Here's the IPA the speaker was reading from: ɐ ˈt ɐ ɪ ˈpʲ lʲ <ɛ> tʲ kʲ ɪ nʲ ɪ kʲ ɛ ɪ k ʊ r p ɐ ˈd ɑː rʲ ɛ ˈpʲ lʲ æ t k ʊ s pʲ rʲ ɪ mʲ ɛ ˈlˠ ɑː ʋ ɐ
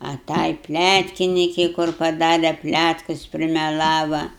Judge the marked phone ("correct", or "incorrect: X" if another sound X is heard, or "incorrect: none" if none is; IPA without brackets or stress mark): incorrect: æ